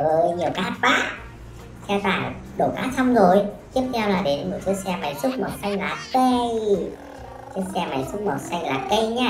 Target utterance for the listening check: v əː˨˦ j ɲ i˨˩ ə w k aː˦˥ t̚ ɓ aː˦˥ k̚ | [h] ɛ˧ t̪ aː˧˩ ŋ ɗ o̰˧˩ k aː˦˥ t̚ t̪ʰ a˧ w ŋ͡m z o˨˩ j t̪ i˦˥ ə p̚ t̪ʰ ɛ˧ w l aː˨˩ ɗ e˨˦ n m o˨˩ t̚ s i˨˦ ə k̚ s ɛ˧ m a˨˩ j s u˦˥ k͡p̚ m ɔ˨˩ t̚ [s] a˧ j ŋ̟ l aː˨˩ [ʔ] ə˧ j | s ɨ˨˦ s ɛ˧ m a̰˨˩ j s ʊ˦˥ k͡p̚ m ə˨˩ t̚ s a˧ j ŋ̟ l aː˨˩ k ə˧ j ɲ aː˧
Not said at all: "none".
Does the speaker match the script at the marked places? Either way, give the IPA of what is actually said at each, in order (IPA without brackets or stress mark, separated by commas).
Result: s, s, k